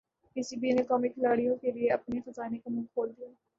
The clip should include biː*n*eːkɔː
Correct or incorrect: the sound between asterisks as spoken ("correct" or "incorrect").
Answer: correct